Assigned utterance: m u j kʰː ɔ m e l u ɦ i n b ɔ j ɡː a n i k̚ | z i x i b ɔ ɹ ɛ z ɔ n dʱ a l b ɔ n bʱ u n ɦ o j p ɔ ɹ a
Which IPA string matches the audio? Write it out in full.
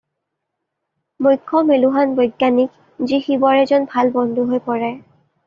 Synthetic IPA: m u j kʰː ɔ m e l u ɦ a n b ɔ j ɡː a n i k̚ | z i x i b ɔ ɹ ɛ z ɔ n bʱ a l b ɔ n dʱ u ɦ o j p ɔ ɹ ɛ